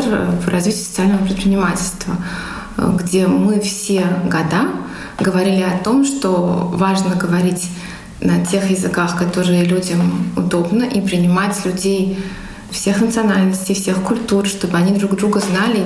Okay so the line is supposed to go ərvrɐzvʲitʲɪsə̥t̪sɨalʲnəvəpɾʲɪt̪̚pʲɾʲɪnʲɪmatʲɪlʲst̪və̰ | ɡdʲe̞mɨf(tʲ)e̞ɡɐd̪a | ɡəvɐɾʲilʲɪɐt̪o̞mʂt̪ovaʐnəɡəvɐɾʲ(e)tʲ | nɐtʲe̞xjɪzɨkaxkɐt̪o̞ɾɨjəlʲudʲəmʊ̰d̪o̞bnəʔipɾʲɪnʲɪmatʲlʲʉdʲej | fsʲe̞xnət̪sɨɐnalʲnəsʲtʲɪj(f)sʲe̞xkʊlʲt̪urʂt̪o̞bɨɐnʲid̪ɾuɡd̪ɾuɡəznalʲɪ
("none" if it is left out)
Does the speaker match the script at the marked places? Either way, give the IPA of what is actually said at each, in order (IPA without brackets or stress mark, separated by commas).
sʲ, i, f